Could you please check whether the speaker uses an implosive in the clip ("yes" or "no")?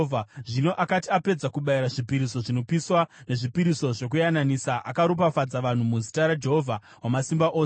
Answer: yes